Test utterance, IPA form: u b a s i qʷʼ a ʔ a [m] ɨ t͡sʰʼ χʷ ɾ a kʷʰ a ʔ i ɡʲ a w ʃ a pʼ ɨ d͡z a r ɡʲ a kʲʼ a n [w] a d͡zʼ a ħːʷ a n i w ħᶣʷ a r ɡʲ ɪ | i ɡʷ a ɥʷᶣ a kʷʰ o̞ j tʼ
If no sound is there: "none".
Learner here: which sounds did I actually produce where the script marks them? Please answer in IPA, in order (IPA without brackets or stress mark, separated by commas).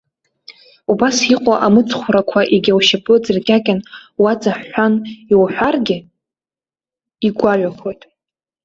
m, w